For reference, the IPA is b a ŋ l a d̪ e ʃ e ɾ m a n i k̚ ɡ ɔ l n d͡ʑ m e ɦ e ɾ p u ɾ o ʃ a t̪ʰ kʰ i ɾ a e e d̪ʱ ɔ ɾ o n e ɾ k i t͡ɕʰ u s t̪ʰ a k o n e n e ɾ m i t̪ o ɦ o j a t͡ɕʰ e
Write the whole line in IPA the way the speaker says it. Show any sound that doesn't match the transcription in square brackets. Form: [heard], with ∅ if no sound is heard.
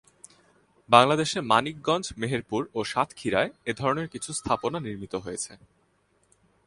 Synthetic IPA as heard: b a ŋ l a d̪ e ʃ e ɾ m a n i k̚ ɡ ɔ [∅] n d͡ʑ m e ɦ e ɾ p u ɾ o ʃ a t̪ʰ kʰ i ɾ a e e d̪ʱ ɔ ɾ o n e ɾ k i t͡ɕʰ u s t̪ʰ a [p] o n [a] n [i] ɾ m i t̪ o ɦ o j [e] t͡ɕʰ e